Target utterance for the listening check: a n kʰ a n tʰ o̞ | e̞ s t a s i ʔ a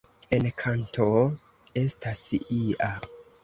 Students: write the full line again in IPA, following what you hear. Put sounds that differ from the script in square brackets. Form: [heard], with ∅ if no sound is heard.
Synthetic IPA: [e] n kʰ a n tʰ o̞ | e̞ s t a s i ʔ a

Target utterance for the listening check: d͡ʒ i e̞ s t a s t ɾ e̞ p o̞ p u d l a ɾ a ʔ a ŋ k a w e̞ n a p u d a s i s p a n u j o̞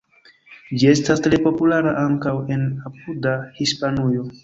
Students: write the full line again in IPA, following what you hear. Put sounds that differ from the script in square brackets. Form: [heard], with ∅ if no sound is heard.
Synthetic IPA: d͡ʒ i e̞ s t a s t ɾ e̞ p o̞ p u [∅] l a ɾ a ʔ a ŋ k a w e̞ n a p u d a [h] i s p a n u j o̞

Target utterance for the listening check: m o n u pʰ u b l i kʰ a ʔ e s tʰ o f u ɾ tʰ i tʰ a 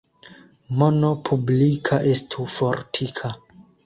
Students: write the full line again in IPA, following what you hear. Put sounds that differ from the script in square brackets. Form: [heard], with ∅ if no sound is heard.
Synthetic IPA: m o n [o] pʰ u b l i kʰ a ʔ e s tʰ [u] f [o] ɾ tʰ i [kʰ] a

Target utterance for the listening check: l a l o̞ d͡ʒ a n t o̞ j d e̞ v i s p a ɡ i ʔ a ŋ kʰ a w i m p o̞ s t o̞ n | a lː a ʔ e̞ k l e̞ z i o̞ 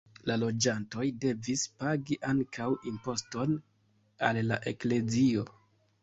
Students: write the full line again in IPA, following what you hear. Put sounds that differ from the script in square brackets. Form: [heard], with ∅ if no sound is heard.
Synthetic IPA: l a l o̞ d͡ʒ a n t o̞ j d e̞ v i s p a ɡ i ʔ a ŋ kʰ a w i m p o̞ s t o̞ n | a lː a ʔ e̞ k l e̞ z i o̞

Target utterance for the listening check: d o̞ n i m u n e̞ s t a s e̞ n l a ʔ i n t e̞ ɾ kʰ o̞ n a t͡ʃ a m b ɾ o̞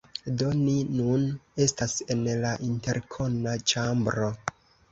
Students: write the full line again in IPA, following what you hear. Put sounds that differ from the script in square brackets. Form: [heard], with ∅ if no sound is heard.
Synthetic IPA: d o̞ n i [n] u n e̞ s t a s e̞ n l a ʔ i n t e̞ ɾ kʰ o̞ n a t͡ʃ a m b ɾ o̞

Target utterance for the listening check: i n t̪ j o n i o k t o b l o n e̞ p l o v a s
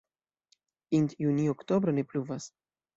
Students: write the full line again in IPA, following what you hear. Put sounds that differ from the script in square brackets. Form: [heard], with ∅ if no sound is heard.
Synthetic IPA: i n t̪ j [u] n i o k t o b [ɾ] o n e̞ p l [u] v a s

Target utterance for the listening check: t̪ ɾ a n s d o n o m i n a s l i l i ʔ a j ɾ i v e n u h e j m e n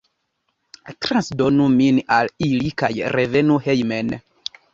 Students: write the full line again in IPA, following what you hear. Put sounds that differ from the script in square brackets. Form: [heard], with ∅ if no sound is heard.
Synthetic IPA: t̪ ɾ a n s d o n [u] m i n a [∅] l i l i [k] a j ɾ [e] v e n u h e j m e n

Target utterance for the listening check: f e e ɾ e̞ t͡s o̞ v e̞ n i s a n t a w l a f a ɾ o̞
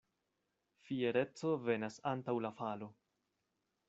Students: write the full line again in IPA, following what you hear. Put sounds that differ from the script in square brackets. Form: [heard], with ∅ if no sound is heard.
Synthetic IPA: f [i] e ɾ e̞ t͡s o̞ v e̞ n [a] s a n t a w l a f a [l] o̞

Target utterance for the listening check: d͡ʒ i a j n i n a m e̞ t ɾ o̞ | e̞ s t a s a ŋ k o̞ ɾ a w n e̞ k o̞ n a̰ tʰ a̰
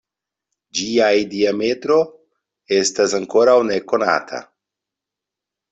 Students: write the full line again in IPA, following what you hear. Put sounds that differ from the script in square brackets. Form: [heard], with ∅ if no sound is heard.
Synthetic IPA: d͡ʒ i a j [d] i [∅] a m e̞ t ɾ o̞ | e̞ s t a s a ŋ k o̞ ɾ a w n e̞ k o̞ n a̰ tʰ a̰

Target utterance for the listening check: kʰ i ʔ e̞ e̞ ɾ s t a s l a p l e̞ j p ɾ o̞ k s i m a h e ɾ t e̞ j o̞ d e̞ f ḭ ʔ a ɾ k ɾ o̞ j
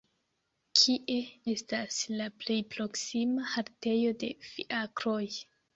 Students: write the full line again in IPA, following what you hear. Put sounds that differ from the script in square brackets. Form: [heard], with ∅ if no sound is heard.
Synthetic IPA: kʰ i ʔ e̞ e̞ [∅] s t a s l a p l e̞ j p ɾ o̞ k s i m a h [a] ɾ t e̞ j o̞ d e̞ f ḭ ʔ a [∅] k ɾ o̞ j

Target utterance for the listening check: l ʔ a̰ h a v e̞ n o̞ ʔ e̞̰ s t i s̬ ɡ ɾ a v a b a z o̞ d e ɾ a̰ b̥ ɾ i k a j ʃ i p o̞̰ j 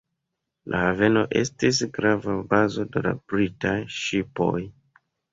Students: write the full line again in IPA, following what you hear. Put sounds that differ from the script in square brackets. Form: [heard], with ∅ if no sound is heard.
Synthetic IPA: l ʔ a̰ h a v e̞ n o̞ ʔ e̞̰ s t i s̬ ɡ ɾ a v a b a z o̞ d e [l] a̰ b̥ ɾ i [t] a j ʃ i p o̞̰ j

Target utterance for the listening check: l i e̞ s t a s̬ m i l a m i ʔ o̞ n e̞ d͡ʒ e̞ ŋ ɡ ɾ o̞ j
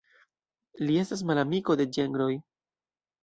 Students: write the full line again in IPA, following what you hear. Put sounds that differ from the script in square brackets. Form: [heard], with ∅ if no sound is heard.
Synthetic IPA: l i e̞ s t a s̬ m [a] l a m i [k] o̞ [d] e̞ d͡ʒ e̞ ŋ ɡ ɾ o̞ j

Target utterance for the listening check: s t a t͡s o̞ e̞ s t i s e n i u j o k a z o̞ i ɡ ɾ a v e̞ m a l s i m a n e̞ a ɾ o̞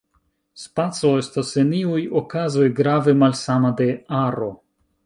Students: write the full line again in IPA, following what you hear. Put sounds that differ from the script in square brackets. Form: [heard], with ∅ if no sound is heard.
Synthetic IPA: s [p] a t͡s o̞ e̞ s t [a] s e n i u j o k a z o̞ [j] ɡ ɾ a v e̞ m a l s [a] m a [d] e̞ a ɾ o̞

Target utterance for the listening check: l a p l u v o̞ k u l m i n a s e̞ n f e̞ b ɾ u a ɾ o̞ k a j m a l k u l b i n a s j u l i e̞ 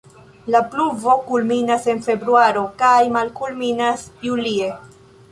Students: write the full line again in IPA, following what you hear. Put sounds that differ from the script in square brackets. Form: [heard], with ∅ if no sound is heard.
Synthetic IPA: l a p l u v o̞ k u l m i n a s e̞ n f e̞ b ɾ u a ɾ o̞ k a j m a l k u l [m] i n a s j u l i e̞

